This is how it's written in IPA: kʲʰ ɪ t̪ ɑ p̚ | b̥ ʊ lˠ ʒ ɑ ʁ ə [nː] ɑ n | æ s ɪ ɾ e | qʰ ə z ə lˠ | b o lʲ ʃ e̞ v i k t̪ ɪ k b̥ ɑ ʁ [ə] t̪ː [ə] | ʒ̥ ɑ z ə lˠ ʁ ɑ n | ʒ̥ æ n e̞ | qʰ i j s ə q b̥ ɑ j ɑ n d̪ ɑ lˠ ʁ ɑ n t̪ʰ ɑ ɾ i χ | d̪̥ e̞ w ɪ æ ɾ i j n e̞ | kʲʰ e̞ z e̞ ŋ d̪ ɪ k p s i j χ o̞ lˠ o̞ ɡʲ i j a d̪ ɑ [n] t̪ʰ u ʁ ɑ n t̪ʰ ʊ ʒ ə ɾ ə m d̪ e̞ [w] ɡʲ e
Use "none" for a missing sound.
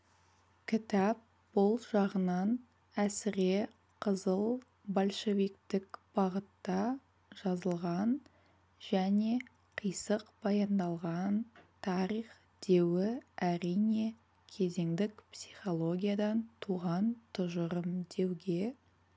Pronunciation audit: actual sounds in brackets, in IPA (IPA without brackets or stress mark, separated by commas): n, ə, ɑ, n, w